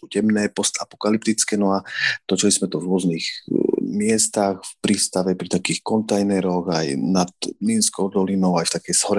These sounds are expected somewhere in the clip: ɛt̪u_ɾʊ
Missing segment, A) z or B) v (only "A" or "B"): B